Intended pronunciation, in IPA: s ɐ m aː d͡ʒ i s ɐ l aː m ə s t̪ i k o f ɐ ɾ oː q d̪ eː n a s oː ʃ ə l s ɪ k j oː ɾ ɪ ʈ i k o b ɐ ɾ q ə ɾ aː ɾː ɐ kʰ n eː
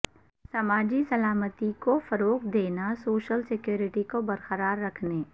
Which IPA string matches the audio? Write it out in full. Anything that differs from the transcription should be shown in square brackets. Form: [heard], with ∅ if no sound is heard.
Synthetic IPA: s ɐ m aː d͡ʒ i s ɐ l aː m ə [∅] t̪ i k o f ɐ ɾ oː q d̪ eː n a s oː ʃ ə l s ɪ k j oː ɾ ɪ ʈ i k o b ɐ ɾ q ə ɾ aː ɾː ɐ kʰ n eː